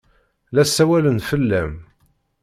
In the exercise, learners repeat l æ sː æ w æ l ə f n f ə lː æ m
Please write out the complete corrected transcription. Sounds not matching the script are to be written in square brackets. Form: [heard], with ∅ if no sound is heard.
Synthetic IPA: l æ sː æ w æ l ə [∅] n f ə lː æ m